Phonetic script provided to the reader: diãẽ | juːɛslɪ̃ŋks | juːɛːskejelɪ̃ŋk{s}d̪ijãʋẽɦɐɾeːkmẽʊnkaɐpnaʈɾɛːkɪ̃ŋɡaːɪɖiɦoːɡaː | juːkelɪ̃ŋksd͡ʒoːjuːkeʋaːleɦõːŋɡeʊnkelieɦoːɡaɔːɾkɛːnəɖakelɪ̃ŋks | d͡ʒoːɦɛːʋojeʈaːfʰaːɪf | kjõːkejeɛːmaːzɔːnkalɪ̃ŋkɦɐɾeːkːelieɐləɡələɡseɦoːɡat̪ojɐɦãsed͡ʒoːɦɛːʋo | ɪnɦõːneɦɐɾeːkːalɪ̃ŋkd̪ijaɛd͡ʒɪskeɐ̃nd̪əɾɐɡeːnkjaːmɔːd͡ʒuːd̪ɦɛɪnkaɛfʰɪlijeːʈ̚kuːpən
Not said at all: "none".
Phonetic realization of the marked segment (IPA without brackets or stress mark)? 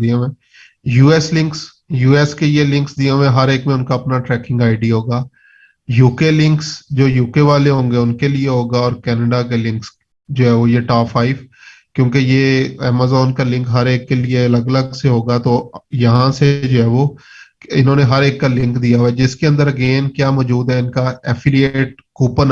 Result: s